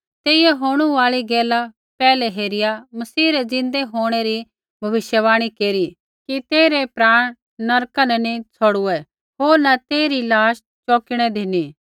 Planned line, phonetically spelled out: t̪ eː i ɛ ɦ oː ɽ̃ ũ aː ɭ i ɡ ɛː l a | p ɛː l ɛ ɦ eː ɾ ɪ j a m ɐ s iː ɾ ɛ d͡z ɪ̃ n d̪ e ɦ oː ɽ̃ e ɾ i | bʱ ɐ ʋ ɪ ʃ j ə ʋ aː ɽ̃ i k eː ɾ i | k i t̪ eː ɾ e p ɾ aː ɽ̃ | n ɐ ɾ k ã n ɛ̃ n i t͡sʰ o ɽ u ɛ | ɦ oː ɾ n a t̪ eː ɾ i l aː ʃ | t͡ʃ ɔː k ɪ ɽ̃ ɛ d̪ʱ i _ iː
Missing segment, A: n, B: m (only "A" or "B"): A